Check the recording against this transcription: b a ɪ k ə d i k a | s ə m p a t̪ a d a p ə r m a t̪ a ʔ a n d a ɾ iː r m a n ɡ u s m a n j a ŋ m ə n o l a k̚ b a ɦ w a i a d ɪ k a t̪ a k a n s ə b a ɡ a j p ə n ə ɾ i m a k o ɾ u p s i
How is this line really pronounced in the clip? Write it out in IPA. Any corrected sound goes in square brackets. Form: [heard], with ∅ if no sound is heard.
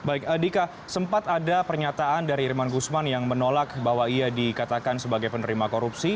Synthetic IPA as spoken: b a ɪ k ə d i k a | s ə m p a t̪ a d a p ə r [ɲ] a t̪ a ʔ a n d a ɾ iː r m a n ɡ u s m a n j a ŋ m ə n o l a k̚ b a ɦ w a i a d [i] k a t̪ a k a n s ə b a ɡ a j p ə n ə ɾ i m a k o ɾ u p s i